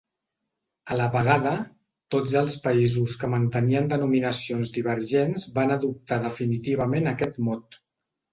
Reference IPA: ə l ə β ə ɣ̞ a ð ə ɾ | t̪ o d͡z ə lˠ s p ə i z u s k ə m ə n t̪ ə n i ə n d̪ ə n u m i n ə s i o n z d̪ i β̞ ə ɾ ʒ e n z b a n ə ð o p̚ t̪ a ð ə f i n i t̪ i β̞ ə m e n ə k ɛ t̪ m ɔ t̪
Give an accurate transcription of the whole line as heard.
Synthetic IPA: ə l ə β ə ɣ̞ a ð ə | t̪ o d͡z ə lˠ s p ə i z u s k ə m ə n t̪ ə n i ə n d̪ ə n u m i n ə s i o n z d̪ i β̞ ə ɾ ʒ e n z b a n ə ð u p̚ t̪ a ð ə f i n i t̪ i β̞ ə m e n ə k ɛ t̪ m ɔ t̪